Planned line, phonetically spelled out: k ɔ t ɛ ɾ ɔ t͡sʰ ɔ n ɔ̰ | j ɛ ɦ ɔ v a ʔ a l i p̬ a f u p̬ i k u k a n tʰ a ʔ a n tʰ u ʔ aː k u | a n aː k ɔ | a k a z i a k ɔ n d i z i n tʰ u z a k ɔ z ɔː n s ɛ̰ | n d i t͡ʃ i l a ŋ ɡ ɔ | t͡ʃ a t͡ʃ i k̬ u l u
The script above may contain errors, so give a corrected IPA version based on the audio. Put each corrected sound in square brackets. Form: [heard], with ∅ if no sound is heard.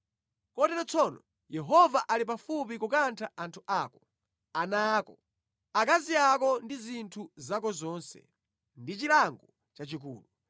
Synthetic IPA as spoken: k ɔ t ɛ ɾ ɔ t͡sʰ ɔ n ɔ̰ | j ɛ ɦ ɔ v a ʔ a l i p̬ a f u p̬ i k u k a n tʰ a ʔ a n tʰ u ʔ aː k [ɔ] | a n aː k ɔ | a k a z i a k ɔ n d i z i n tʰ u z a k ɔ z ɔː n s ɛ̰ | n d i t͡ʃ i l a ŋ ɡ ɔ | t͡ʃ a t͡ʃ i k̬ [uː] l u